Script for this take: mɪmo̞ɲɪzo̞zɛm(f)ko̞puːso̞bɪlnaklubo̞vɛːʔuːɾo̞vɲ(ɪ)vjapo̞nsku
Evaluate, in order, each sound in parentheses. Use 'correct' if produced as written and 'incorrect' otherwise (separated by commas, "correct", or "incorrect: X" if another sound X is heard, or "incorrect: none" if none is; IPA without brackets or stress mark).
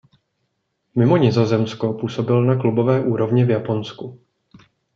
incorrect: s, correct